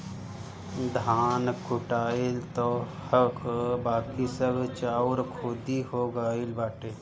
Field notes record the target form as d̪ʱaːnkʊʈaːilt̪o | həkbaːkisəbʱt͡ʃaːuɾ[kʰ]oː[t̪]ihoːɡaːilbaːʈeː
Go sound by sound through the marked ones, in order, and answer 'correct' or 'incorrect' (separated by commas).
correct, incorrect